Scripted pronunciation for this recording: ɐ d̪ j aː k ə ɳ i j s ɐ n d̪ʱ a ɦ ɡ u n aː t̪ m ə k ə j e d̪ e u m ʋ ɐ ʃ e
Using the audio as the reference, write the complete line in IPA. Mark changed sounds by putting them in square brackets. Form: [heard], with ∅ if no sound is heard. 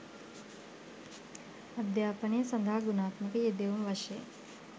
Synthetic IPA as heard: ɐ d̪ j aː [p] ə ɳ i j s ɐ n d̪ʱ a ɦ ɡ u n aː t̪ m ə k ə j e d̪ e u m ʋ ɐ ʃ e